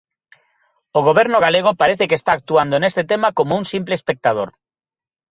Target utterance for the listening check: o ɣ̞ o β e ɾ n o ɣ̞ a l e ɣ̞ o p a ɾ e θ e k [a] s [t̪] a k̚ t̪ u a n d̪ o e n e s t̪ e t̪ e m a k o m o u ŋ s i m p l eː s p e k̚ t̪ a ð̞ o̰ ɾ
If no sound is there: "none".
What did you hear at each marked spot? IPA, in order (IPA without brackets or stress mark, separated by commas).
e, t̪